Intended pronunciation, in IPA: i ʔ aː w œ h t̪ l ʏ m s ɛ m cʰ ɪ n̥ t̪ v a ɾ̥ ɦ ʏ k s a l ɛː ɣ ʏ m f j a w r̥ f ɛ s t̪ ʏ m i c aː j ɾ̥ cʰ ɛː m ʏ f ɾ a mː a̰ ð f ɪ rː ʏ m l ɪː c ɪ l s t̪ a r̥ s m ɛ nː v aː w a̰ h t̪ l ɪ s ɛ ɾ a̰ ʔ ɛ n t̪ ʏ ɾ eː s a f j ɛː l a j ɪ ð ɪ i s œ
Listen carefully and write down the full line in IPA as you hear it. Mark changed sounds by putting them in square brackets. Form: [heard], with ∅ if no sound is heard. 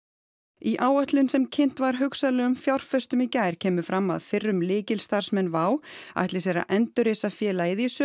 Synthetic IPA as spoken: i ʔ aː w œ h t̪ l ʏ [n] s ɛ m cʰ ɪ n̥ t̪ v a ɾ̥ ɦ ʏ k s a l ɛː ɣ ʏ m f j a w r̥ f ɛ s t̪ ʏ m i c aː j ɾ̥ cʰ ɛː m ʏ f ɾ a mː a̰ ð f ɪ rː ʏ m l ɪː c ɪ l s t̪ a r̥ s m ɛ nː v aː w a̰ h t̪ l ɪ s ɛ ɾ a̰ ʔ ɛ n t̪ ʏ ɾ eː s a f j ɛː l a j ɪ ð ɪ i s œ